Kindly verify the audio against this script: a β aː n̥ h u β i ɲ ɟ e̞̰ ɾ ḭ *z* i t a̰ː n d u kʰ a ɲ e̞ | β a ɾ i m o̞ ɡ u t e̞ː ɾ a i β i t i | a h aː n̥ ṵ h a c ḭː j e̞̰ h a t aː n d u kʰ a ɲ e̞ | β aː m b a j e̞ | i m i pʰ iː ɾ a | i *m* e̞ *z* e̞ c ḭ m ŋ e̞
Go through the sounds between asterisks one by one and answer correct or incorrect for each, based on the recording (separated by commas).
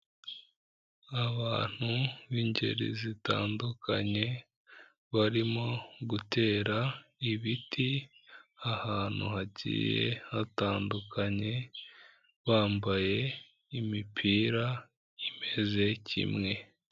correct, correct, correct